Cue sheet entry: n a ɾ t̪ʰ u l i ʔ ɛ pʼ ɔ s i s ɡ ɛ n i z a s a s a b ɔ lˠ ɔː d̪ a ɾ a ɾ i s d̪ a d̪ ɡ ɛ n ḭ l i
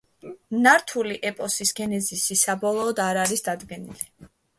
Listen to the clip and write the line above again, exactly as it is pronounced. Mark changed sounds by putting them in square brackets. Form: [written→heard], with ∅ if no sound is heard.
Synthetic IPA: n a ɾ t̪ʰ u l i ʔ ɛ pʼ ɔ s i s ɡ ɛ n [i→ɛ] z [a→i] s [a→i] s a b ɔ lˠ ɔː d̪ a ɾ a ɾ i s d̪ a d̪ ɡ ɛ n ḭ l i